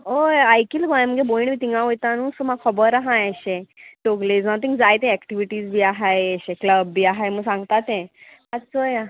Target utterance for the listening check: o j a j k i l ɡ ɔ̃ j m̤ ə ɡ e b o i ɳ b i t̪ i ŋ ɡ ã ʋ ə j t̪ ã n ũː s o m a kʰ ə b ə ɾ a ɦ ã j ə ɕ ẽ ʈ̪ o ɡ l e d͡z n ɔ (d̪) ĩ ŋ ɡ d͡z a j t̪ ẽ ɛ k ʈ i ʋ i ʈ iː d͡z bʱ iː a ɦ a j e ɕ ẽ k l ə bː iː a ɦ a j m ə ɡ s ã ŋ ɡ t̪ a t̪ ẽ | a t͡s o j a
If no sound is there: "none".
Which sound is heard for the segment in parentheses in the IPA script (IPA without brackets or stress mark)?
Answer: t̪